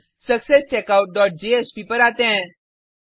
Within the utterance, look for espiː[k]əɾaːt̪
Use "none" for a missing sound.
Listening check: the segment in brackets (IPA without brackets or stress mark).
p